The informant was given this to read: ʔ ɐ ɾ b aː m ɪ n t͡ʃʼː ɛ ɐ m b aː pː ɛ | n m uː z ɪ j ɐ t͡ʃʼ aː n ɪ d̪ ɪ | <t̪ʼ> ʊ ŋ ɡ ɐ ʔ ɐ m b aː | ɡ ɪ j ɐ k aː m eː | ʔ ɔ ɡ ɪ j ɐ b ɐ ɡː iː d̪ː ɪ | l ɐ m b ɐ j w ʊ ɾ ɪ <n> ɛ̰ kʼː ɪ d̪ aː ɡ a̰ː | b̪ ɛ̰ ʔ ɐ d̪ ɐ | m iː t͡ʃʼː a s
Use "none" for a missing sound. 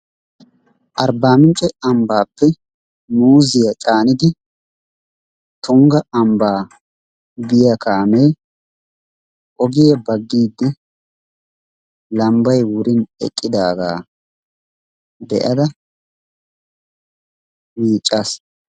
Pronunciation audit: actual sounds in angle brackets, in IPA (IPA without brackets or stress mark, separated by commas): t̪, n